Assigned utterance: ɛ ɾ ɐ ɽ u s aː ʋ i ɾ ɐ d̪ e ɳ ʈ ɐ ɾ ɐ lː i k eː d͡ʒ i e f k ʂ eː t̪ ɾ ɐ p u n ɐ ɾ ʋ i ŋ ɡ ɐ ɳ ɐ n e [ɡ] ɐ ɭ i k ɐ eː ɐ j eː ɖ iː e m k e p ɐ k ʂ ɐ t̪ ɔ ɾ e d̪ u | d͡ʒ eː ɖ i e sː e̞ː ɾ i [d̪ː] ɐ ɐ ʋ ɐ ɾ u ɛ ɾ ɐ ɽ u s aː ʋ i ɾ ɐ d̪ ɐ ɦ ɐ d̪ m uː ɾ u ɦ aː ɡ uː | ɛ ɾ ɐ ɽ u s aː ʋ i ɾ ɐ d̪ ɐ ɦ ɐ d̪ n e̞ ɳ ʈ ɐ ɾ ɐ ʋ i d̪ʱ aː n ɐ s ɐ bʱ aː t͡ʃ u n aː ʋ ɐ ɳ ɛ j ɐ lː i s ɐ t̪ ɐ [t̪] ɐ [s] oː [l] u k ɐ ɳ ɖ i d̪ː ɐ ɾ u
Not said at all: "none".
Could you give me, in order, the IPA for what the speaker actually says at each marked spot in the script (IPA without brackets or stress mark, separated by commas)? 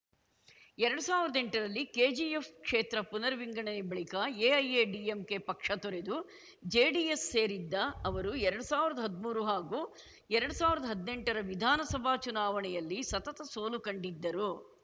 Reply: b, d̪ː, t̪, s, l